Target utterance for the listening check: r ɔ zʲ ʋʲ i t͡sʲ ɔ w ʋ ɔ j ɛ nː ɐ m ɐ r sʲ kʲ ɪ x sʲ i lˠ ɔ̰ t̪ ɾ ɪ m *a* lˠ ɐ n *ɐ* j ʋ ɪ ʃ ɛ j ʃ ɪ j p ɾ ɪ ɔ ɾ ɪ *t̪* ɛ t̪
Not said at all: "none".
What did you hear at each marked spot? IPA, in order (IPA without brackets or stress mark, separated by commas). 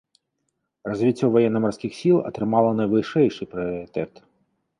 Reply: ɑ, ɐ, t̪